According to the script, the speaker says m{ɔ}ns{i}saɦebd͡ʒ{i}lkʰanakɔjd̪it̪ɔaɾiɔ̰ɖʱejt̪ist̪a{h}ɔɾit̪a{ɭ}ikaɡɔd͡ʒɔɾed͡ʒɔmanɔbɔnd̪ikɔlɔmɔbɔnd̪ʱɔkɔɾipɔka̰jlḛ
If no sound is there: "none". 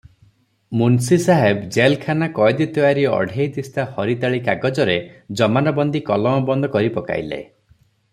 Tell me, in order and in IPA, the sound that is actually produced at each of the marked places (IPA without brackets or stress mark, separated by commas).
u, i, e, h, ɭ